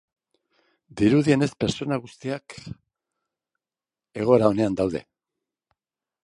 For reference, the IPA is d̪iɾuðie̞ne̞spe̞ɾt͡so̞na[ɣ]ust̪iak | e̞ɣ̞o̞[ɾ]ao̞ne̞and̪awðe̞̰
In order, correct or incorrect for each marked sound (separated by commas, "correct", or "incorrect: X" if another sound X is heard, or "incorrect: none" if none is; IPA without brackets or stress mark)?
correct, correct